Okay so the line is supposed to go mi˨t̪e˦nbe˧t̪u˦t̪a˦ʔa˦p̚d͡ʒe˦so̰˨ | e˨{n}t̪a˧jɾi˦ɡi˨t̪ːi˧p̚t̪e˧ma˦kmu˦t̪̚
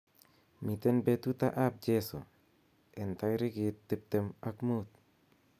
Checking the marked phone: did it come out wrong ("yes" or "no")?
no